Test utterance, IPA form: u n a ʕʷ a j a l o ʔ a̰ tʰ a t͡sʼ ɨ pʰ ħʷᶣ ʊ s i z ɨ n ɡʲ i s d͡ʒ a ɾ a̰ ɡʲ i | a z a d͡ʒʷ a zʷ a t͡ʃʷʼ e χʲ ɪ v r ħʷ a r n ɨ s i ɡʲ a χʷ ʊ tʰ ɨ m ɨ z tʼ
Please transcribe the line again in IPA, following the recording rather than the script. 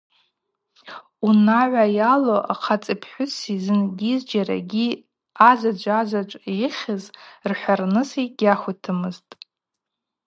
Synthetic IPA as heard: u n a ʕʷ a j a l o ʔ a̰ qʰ a t͡sʼ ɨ pʰ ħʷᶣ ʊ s i z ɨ n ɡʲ i z d͡ʒ a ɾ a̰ ɡʲ i | a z a d͡ʒʷ a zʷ a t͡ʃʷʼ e χʲ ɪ z r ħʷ a r n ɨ s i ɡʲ a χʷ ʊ tʰ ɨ m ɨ z tʼ